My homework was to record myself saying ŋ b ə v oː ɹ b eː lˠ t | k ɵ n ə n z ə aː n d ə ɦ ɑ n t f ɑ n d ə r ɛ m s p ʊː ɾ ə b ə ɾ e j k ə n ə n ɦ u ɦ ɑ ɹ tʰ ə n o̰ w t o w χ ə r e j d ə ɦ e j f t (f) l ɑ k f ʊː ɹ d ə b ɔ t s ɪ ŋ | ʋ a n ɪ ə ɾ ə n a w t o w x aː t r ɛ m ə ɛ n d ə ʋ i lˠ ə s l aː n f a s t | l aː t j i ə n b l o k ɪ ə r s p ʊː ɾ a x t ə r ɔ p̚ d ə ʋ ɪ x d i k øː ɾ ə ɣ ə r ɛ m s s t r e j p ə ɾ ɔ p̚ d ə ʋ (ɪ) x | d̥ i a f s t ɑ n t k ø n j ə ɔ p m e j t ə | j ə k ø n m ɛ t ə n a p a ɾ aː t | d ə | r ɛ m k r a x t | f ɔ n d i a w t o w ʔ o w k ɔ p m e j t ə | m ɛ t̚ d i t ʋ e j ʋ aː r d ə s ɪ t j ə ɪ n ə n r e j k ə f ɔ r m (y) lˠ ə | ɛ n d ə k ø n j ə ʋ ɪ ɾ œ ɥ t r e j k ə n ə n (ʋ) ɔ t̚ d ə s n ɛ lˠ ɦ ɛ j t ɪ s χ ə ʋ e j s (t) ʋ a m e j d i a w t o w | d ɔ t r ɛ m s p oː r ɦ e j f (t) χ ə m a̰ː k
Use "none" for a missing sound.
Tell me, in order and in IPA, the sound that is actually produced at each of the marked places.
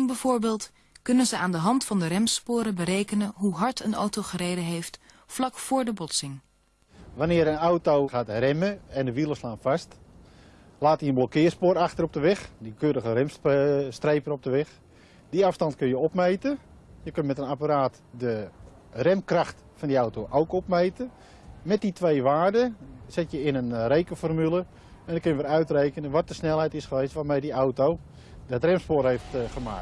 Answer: f, ɪ, y, ʋ, t, t

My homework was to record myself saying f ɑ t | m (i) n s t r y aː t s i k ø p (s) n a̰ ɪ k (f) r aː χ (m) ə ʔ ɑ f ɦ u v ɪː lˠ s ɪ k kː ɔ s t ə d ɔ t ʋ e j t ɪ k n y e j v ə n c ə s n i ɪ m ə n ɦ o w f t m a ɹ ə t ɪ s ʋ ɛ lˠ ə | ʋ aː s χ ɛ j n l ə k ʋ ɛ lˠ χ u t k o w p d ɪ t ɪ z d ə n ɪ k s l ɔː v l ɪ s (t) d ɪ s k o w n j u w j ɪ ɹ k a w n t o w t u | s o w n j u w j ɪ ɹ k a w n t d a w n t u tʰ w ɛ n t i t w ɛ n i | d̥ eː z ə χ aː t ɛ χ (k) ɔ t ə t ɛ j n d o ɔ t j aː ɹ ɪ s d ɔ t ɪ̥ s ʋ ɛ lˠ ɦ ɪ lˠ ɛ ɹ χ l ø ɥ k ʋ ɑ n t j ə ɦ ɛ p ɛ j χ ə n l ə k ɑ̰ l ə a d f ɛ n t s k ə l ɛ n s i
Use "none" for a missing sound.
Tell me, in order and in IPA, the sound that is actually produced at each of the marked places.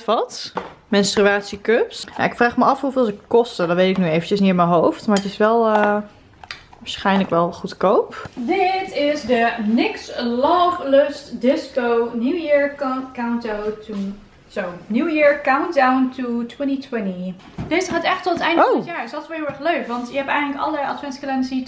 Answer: ɛ, s, f, m, t, t

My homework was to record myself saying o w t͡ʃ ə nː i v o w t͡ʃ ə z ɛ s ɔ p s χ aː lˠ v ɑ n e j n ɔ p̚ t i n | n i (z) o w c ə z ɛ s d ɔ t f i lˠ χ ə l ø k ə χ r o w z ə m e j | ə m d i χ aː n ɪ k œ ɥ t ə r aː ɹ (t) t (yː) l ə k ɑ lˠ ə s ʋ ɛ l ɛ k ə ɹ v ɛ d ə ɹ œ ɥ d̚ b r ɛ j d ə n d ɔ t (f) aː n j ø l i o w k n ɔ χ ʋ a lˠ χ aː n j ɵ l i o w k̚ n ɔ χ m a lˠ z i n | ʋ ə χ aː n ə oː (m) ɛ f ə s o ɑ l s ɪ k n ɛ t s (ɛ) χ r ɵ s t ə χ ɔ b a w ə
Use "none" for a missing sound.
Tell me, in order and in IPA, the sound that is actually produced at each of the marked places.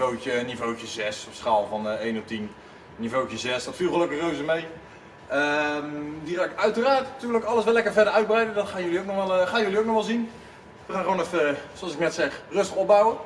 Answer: v, t, yː, χ, n, ɛ

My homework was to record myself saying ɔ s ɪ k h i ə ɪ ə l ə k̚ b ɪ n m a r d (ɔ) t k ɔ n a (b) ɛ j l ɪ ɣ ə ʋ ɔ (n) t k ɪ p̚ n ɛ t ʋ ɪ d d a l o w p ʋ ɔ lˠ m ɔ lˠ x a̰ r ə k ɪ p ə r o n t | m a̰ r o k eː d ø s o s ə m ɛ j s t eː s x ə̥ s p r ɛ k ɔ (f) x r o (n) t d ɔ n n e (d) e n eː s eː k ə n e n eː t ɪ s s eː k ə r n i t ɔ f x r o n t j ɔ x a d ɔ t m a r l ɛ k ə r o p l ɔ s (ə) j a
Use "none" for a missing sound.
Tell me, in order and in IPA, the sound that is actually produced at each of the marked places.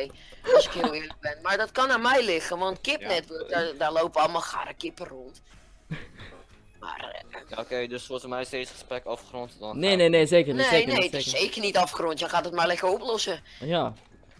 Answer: ɔ, m, n, f, n, n, ə

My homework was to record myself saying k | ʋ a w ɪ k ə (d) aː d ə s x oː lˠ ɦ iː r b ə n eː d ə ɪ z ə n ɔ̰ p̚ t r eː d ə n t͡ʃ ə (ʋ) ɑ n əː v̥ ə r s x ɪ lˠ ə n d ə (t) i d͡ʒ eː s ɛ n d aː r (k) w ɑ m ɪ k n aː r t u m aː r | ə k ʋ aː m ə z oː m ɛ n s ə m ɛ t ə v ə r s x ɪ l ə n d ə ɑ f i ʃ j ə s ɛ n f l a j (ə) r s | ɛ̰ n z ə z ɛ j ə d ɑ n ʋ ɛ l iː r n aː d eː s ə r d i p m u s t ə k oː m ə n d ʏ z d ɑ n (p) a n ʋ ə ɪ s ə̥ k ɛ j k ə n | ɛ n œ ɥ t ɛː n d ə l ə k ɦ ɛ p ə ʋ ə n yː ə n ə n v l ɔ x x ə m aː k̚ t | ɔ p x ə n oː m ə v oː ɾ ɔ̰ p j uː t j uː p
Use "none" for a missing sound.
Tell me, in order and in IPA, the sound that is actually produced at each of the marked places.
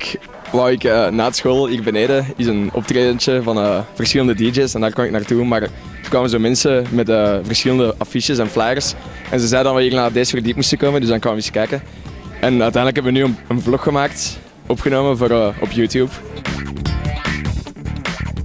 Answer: n, v, d, k, ə, k

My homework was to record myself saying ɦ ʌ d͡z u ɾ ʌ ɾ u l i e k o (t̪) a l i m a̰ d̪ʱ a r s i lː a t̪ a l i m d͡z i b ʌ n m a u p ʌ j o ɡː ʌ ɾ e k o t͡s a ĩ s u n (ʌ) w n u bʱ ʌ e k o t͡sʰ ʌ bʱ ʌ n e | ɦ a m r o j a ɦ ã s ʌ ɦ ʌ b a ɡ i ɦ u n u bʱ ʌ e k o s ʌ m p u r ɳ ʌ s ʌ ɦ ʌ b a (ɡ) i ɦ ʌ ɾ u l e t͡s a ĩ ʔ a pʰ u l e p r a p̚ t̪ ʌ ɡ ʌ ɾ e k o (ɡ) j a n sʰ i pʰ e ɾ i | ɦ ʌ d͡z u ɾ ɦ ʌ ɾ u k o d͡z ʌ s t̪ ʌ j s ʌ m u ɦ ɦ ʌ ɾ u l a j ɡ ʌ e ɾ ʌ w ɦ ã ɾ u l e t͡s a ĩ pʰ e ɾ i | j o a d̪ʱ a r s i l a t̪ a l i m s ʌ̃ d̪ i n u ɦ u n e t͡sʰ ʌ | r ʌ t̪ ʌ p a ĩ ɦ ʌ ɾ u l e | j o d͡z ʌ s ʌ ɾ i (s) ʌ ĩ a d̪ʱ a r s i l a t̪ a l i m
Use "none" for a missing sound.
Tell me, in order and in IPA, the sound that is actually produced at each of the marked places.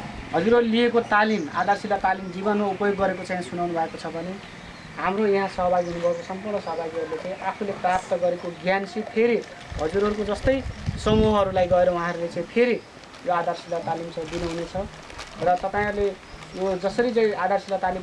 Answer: t̪, a, ɡ, ɡ, t͡s

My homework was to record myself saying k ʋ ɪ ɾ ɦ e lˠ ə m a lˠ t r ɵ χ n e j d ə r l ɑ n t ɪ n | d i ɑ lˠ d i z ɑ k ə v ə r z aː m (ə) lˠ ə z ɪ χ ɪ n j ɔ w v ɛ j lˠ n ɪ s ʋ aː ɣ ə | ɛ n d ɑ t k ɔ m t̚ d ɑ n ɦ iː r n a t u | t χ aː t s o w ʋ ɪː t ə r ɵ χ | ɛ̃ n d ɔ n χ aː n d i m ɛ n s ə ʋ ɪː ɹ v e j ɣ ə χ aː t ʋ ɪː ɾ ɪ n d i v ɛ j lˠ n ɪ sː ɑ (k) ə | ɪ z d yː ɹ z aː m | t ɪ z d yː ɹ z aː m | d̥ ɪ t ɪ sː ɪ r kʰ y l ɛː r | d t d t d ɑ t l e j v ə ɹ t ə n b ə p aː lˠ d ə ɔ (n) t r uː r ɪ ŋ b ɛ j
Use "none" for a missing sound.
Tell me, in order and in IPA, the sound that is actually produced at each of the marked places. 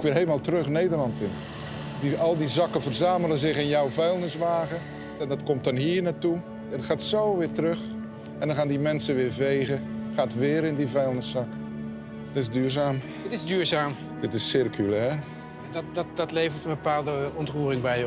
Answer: ə, k, n

